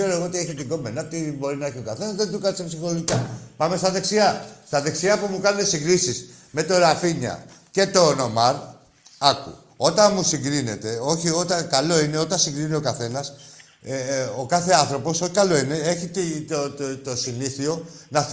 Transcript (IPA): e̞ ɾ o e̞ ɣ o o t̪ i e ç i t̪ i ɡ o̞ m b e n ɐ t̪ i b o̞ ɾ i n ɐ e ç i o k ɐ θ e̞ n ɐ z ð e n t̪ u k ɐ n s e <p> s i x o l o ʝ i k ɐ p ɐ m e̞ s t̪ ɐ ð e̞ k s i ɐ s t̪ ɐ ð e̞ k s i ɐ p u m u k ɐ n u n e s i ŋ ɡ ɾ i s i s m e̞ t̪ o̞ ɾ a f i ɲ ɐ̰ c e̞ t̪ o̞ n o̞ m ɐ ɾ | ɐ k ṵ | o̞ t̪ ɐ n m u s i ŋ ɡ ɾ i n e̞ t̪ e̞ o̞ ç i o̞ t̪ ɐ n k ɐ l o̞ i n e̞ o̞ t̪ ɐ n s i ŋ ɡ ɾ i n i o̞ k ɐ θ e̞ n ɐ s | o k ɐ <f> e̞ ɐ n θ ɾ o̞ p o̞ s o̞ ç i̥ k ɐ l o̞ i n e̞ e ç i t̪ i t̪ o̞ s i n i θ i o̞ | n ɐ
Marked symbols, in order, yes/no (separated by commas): yes, no